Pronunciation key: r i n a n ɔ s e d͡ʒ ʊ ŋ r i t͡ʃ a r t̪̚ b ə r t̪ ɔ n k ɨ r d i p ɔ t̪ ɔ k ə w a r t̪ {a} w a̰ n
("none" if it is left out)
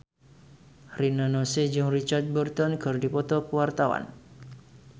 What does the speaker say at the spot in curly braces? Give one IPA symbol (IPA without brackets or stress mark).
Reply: a